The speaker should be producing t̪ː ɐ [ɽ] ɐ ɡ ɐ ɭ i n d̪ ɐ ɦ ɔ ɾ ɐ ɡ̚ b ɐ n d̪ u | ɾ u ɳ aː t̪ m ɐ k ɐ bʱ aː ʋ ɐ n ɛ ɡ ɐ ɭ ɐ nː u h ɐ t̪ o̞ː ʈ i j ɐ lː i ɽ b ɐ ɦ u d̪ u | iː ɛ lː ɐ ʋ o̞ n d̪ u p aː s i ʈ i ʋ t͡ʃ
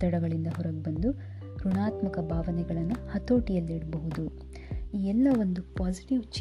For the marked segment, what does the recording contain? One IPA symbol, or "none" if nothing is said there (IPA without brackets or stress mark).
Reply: ɽ